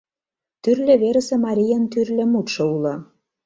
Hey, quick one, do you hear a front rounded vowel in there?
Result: yes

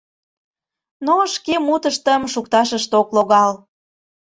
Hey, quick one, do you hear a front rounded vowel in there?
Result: no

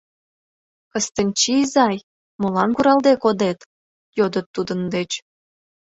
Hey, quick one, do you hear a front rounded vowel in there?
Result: no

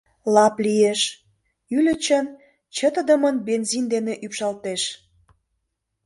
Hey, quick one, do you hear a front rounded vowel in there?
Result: yes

